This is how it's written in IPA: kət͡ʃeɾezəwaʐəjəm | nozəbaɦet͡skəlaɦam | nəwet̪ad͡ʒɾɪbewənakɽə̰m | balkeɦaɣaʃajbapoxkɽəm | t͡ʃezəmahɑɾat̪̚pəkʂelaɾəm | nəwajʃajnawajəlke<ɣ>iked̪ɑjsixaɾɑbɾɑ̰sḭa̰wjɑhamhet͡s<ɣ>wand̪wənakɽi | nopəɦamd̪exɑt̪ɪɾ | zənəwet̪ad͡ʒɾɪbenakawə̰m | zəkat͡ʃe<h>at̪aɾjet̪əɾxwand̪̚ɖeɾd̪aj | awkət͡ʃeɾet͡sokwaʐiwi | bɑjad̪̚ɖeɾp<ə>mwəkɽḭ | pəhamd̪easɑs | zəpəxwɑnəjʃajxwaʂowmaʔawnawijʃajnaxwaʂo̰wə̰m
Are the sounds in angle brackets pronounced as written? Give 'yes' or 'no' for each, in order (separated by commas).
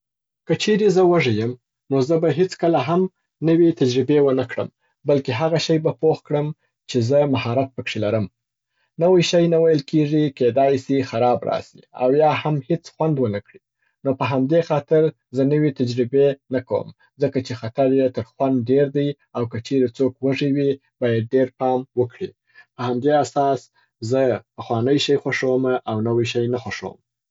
no, no, no, no